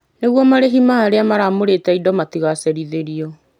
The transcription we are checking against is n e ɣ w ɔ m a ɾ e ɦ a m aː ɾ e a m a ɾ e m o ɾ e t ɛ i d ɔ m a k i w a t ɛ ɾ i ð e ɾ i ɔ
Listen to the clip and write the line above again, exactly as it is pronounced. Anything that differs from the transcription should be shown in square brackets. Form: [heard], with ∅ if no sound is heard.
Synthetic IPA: n e ɣ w ɔ m a ɾ e ɦ [i] m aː ɾ e a m a ɾ [a] m o ɾ e t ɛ i d ɔ m a [t] i [ɣ] a [s] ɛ ɾ i ð e ɾ i ɔ